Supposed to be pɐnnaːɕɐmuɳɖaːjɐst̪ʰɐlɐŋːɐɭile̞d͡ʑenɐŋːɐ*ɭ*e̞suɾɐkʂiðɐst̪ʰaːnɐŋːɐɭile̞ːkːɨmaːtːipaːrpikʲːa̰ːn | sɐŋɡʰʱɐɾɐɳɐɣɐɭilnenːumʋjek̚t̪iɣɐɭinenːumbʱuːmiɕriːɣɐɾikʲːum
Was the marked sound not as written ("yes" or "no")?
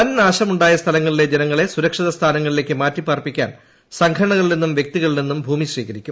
no